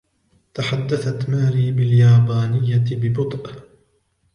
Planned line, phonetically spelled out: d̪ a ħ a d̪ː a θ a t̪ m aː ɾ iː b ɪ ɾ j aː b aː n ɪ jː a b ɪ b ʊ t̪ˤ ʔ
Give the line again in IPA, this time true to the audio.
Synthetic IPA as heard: t̪ a ħ a d̪ː a θ a t̪ m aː ɾ iː b ɪ l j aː b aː n ɪ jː a b ɪ b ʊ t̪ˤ ʔ

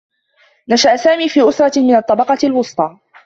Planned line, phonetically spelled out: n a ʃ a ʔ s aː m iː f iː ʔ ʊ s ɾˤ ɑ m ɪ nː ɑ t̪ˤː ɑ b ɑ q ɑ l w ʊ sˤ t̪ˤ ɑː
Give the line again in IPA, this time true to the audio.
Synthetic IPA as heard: n a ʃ a ʔ s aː m iː f iː ʔ ʊ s ɾˤ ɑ m ɪ n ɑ t̪ˤː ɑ b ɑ q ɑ l w ʊ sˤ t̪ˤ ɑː

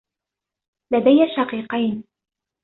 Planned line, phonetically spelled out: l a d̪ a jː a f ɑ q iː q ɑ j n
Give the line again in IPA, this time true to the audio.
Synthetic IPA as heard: l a d̪ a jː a ʃ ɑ q iː q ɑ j n

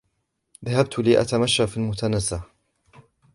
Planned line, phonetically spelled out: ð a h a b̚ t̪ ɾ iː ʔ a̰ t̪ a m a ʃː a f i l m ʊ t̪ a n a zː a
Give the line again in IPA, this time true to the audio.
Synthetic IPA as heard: ð a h a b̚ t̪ l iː ʔ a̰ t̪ a m a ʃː a f i l m ʊ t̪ a n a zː a

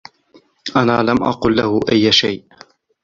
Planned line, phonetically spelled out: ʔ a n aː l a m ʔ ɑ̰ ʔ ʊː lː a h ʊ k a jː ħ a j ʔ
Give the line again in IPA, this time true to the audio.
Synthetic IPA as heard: ʔ a n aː l a m ʔ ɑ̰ q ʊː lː a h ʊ ʔ a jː ʃ a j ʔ

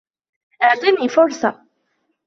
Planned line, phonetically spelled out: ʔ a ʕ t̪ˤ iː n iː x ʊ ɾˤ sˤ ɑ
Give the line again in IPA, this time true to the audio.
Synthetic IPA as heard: ʔ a ʕ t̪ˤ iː n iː f ʊ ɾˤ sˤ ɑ

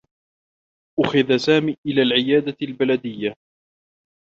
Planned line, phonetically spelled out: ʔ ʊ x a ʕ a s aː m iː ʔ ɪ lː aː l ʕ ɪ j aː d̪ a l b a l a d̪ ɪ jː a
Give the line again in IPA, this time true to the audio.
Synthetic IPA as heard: ʔ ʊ x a ð a s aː m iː ʔ ɪ l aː l ʕ ɪ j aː d̪ a l b a l a d̪ ɪ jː a

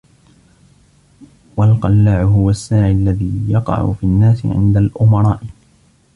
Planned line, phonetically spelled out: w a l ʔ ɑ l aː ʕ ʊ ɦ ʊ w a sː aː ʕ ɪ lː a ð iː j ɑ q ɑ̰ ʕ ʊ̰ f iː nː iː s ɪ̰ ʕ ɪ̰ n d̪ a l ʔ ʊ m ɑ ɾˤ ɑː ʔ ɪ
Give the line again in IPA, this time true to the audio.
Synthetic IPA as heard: w a l q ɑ lː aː ʕ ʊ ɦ ʊ w a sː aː ʕ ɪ lː a ð iː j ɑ q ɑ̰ ʕ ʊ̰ f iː nː aː s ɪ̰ ʕ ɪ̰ n d̪ a l ʔ ʊ m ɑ ɾˤ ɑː ʔ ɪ

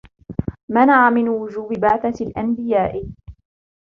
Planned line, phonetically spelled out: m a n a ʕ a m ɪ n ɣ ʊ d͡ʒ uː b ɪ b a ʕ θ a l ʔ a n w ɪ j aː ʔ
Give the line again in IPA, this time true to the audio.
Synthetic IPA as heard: m a n a ʕ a m ɪ n w ʊ d͡ʒ uː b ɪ b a ʕ θ a l ʔ a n b ɪ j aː ʔ

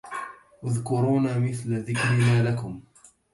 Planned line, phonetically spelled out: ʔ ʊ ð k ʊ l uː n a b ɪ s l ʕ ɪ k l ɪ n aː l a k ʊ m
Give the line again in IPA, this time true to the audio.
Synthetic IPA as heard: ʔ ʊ ð k ʊ ɾ uː n a m ɪ θ l ð ɪ k ɾ ɪ n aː l a k ʊ m

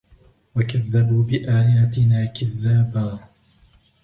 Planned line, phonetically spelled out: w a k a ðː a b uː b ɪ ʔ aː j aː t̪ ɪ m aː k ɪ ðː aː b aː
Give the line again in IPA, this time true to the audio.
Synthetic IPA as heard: w a k a ðː a b uː b ɪ ʔ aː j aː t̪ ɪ n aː k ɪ ðː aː b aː

